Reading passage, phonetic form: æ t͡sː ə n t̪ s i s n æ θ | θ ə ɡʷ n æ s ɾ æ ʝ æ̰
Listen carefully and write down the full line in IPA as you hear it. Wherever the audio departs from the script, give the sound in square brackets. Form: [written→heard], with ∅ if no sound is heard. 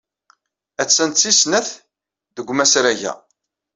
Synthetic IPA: æ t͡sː ə n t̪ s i s n æ θ | [θ→ð] ə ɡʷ [n→m] æ s ɾ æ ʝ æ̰

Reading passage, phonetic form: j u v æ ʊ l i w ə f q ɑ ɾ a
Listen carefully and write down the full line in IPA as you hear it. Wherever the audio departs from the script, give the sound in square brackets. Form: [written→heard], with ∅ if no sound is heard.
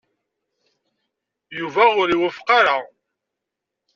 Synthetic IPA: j u v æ ʊ [l→ɾ] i w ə f q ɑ ɾ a

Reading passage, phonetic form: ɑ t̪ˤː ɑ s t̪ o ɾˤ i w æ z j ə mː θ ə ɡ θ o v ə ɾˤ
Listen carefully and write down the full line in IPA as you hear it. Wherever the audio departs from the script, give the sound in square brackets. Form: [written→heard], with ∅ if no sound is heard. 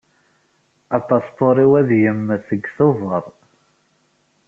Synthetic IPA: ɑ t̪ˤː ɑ s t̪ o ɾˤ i w æ [z→ð] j ə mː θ ə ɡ θ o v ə ɾˤ

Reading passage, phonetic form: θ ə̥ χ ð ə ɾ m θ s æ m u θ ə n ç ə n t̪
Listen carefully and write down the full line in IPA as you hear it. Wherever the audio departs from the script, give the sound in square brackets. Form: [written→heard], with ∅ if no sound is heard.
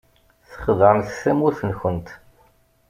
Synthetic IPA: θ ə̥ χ ð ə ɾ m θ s æ m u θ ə n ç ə n t̪

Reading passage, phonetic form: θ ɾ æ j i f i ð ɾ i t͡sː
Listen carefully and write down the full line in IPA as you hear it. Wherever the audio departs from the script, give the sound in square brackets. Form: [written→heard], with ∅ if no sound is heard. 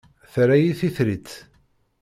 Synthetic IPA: θ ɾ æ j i [f→θ] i [ð→θ] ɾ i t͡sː

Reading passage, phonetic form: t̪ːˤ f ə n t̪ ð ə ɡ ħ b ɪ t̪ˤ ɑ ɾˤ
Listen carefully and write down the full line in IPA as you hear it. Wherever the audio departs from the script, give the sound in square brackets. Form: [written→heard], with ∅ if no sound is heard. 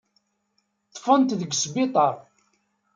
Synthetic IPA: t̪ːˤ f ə n t̪ ð ə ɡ [ħ→s] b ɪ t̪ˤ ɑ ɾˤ

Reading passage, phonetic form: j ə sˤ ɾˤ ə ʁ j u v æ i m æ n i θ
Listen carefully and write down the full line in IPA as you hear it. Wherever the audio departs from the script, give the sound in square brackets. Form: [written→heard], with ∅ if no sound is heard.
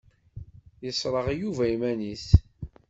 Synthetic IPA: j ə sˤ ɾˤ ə ʁ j u v æ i m æ n i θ

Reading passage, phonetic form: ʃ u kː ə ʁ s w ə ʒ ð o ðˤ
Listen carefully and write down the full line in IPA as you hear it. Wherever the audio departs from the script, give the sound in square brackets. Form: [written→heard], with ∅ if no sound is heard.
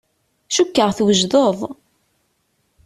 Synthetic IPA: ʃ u kː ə ʁ [s→θ] w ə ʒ ð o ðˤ

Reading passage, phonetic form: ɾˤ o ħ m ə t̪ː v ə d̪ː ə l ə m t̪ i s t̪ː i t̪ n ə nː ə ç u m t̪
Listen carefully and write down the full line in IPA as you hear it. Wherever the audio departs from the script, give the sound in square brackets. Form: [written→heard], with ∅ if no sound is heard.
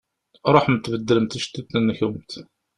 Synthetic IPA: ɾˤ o ħ m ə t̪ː v ə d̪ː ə l ə m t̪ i [s→ʃ] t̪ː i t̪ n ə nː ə ç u m t̪

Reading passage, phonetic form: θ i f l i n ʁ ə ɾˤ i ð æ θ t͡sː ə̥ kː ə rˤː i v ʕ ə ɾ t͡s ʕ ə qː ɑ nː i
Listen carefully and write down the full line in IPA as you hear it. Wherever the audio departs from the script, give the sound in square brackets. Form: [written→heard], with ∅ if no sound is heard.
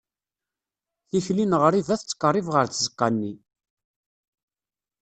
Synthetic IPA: θ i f l i n ʁ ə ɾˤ i ð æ θ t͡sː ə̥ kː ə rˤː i v [ʕ→ʁ] ə ɾ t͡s [ʕ→z] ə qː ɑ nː i

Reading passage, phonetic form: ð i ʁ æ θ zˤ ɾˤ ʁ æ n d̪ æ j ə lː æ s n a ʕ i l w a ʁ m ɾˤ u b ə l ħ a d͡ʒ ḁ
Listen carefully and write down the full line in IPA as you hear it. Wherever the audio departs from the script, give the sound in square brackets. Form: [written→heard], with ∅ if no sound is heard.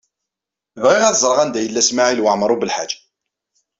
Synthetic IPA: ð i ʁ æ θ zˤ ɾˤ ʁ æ n d̪ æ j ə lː æ s [n→m] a ʕ i l w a [ʁ→ʕ] m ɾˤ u b ə l ħ a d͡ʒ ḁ

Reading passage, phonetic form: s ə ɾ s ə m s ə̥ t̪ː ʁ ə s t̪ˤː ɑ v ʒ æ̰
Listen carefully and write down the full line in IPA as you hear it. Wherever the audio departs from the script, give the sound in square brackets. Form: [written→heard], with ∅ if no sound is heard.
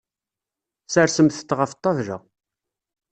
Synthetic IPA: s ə ɾ s ə m [s→θ] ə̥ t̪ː ʁ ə [s→f] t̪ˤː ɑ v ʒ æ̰

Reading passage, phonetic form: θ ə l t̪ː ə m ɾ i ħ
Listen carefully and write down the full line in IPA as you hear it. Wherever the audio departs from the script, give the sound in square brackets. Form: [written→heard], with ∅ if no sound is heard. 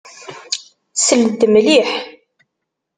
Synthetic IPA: [θ→s] ə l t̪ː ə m [ɾ→l] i ħ

